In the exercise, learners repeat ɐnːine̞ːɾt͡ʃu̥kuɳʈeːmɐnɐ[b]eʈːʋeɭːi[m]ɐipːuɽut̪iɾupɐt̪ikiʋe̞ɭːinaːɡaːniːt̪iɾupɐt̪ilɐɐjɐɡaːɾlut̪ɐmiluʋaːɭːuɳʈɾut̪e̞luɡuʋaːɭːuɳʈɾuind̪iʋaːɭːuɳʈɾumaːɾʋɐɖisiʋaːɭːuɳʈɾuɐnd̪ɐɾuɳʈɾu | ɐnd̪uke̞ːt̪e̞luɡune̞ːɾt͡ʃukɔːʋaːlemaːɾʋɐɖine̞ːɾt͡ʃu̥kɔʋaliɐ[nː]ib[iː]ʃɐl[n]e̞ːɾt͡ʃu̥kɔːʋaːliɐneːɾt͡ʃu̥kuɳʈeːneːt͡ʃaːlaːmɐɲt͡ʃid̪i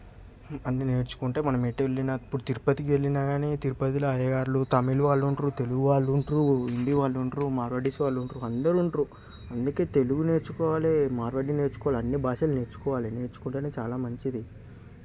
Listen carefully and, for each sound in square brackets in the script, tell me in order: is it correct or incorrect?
incorrect, incorrect, correct, incorrect, correct

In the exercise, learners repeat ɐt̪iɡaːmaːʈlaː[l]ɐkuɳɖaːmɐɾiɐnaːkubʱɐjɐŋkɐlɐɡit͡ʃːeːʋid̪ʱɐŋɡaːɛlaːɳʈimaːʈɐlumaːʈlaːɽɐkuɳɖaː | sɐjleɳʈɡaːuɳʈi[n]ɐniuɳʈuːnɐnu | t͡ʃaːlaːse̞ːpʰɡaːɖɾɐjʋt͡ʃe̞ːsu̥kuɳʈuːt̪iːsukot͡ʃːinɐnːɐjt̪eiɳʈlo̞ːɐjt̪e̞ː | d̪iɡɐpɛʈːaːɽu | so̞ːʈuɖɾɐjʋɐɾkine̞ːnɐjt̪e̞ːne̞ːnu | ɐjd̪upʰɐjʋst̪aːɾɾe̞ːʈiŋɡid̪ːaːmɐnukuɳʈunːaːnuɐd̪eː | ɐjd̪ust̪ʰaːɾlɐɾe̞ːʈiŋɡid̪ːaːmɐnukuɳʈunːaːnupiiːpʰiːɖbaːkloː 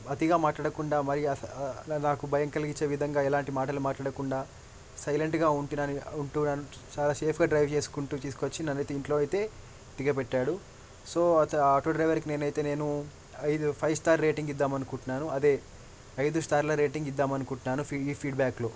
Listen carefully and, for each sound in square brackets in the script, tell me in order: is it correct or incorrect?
incorrect, correct

